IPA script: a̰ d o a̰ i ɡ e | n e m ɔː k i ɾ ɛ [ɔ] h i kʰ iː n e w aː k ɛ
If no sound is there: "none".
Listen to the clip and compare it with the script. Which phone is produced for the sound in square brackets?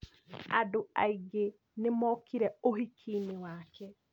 o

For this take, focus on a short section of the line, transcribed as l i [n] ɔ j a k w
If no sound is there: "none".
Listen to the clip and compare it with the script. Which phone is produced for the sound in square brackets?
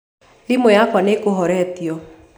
m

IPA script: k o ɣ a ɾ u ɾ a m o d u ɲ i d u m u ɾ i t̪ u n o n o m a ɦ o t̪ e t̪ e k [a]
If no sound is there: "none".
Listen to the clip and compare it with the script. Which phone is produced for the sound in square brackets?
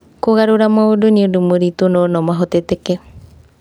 e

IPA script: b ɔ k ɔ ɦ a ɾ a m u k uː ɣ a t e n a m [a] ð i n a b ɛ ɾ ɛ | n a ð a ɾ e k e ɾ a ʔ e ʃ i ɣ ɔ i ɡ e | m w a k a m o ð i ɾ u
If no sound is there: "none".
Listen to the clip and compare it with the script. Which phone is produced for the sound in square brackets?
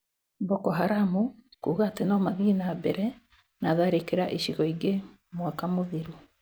a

